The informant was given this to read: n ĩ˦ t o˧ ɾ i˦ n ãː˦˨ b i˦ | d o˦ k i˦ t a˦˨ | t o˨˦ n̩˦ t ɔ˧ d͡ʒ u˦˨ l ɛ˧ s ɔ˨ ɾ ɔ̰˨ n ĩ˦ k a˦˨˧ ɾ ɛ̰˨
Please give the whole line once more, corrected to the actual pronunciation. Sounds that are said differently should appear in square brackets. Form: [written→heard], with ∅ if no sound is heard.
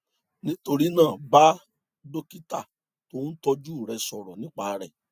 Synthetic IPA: n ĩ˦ t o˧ ɾ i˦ n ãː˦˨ b [i˦→a˦] | d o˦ k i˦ t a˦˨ | t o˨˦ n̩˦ t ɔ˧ d͡ʒ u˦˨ [l→ɾ] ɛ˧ s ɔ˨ ɾ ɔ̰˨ n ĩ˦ [k→k͡p] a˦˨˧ ɾ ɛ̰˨